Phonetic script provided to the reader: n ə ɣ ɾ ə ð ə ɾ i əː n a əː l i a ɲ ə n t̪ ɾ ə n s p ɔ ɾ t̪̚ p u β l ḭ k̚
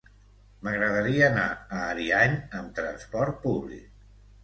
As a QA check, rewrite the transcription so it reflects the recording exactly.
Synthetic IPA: m ə ɣ ɾ ə ð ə ɾ i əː n a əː ɾ i a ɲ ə m t̪ ɾ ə n s p ɔ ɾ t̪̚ p u β l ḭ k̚